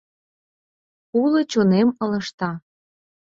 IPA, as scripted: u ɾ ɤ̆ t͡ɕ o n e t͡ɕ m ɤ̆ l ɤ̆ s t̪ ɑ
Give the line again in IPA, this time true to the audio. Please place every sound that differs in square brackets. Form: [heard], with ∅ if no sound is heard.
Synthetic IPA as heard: u [l] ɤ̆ t͡ɕ o n e [∅] m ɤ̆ l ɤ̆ [ʃ] t̪ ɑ